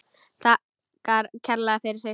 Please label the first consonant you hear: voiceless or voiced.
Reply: voiceless